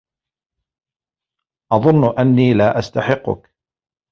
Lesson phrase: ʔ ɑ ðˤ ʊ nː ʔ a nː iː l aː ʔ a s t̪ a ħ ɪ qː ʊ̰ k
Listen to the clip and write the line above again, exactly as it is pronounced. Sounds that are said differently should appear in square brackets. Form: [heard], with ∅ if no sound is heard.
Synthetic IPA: ʔ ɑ ðˤ ʊ nː ʔ a nː iː l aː ʔ a s t̪ a ħ ɪ qː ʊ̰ k